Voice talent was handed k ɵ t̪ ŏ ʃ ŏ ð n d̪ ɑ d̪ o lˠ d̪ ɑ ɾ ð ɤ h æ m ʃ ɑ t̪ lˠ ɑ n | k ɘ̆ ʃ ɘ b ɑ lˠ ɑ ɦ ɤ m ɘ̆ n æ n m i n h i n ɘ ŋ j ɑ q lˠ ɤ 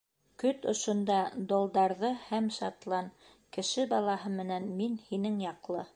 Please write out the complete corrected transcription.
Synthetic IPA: k ɵ t̪ ŏ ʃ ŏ n d̪ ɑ d̪ o lˠ d̪ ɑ ɾ ð ɤ h æ m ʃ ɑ t̪ lˠ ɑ n | k ɘ̆ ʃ ɘ b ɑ lˠ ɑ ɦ ɤ m ɘ̆ n æ n m i n h i n ɘ ŋ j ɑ q lˠ ɤ